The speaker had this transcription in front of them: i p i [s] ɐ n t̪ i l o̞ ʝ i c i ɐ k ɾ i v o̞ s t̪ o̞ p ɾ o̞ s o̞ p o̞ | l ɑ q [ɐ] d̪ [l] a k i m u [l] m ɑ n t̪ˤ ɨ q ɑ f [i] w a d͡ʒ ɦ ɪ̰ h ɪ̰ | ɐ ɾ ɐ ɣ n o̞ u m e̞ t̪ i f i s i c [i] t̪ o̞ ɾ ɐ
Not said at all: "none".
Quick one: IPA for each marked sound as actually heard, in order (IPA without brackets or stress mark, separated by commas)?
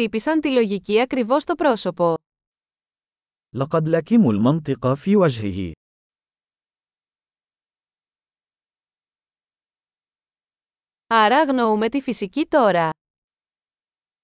s, ɑ, l, l, iː, i